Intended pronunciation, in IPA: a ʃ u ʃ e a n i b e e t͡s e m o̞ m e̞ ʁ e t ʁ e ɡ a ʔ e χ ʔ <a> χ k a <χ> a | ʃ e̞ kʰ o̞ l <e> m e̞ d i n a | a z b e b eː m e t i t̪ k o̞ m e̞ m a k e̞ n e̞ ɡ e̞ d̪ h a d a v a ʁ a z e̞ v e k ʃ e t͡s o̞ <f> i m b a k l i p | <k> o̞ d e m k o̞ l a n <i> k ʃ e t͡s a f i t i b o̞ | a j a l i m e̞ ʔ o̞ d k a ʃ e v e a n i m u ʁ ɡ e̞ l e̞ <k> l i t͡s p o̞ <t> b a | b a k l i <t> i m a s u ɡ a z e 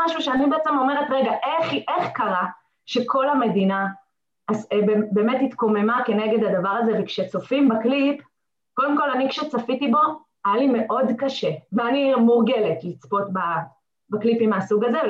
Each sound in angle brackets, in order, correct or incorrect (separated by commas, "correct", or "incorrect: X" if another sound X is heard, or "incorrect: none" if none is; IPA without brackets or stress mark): incorrect: e, incorrect: ʁ, incorrect: a, correct, correct, correct, incorrect: t, correct, incorrect: p